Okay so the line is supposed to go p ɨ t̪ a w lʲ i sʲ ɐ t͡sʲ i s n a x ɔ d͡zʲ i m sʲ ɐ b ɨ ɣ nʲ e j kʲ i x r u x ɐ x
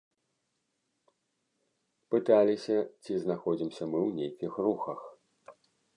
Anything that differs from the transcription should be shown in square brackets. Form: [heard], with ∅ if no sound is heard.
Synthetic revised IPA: p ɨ t̪ a [∅] lʲ i sʲ ɐ t͡sʲ i [z] n a x ɔ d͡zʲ i m sʲ ɐ [m] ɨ [w] nʲ e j kʲ i x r u x ɐ x

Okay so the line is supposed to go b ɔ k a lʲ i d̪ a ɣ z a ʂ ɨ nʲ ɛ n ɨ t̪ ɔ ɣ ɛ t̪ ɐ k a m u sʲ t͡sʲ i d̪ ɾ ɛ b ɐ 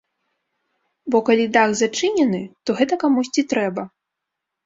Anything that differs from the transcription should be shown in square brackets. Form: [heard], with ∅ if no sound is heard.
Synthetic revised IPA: b ɔ k a lʲ i d̪ a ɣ z a [t͡ʂ] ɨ nʲ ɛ n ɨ t̪ ɔ ɣ ɛ t̪ ɐ k a m u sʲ t͡sʲ i [t̪] ɾ ɛ b ɐ

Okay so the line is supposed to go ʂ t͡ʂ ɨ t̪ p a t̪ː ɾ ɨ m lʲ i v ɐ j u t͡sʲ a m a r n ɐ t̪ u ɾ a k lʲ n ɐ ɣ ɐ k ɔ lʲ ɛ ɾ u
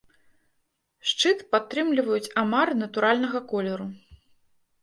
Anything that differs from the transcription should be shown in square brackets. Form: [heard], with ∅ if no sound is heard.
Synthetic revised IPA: ʂ t͡ʂ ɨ t̪ p a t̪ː ɾ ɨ m lʲ i v ɐ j u t͡sʲ a m a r n ɐ t̪ u ɾ a [∅] lʲ n ɐ ɣ ɐ k ɔ lʲ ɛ ɾ u

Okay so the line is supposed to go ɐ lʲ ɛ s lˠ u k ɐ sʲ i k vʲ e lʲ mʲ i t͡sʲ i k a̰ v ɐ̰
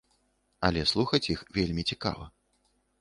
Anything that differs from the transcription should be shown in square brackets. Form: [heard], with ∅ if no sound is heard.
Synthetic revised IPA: ɐ lʲ ɛ s lˠ u [x] ɐ [t͡sʲ] i [x] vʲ e lʲ mʲ i t͡sʲ i k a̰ v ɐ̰

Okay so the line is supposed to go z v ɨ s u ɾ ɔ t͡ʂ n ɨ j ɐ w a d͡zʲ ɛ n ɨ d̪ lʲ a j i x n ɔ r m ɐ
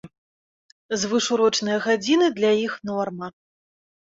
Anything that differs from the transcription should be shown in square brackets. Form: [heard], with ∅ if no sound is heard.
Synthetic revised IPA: z v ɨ [ʂ] u ɾ ɔ t͡ʂ n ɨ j ɐ [ɣ] a d͡zʲ [i] n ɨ d̪ lʲ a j i x n ɔ r m ɐ

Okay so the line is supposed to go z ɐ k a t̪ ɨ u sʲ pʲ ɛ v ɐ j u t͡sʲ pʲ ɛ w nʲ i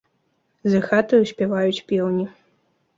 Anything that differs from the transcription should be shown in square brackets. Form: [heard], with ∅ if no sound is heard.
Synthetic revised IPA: z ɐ [x] a t̪ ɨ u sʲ pʲ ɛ v [a] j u t͡sʲ pʲ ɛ w nʲ i

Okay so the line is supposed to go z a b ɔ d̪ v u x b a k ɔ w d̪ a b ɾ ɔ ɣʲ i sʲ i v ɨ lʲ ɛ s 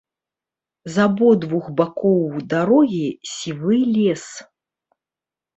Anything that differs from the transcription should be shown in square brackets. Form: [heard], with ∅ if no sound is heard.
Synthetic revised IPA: z a b ɔ d̪ v u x b a k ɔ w d̪ a [∅] ɾ ɔ ɣʲ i sʲ i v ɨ lʲ ɛ s

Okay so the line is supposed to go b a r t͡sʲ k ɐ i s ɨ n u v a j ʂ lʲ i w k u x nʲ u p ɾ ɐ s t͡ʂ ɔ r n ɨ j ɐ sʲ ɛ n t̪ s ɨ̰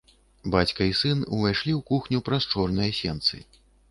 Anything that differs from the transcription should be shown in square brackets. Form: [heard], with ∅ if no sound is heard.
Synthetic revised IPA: b a [∅] t͡sʲ k ɐ i s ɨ n u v a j ʂ lʲ i w k u x nʲ u p ɾ ɐ s t͡ʂ ɔ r n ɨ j ɐ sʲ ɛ n t̪ s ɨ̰

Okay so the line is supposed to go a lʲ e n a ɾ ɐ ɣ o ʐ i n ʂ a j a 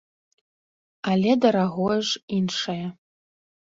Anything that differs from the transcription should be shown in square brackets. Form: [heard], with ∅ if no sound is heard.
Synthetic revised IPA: a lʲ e [d] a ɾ [a] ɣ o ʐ i n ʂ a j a

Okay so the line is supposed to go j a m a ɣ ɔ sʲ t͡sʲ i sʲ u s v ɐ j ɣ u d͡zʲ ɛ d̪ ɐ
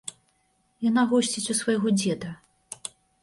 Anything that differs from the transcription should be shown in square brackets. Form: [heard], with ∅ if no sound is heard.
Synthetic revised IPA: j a [n] a ɣ ɔ sʲ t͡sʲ i [t͡sʲ] u s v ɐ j ɣ [ɔ] d͡zʲ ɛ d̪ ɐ

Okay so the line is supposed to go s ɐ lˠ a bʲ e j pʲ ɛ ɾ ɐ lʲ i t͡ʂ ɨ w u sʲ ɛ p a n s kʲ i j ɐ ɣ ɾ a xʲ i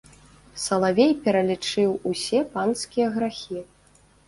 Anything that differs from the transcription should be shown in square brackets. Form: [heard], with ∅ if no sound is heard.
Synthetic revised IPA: s ɐ lˠ a [vʲ] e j pʲ ɛ ɾ ɐ lʲ i t͡ʂ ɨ w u sʲ ɛ p a n s kʲ i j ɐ ɣ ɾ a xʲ i

